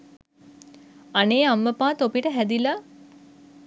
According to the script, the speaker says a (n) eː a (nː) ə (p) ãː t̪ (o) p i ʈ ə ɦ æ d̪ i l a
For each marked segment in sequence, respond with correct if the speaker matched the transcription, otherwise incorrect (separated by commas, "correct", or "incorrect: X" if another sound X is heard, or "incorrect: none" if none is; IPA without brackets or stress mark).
correct, incorrect: mː, correct, correct